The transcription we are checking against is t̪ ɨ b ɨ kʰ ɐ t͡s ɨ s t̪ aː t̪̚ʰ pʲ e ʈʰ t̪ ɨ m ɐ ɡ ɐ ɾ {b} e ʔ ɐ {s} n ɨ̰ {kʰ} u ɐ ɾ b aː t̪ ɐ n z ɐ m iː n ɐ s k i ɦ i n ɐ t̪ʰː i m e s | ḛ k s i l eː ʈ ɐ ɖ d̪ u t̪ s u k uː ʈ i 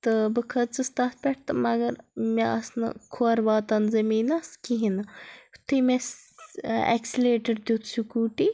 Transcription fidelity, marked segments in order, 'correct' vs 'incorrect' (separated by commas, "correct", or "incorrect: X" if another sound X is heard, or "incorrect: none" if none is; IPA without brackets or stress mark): incorrect: m, correct, correct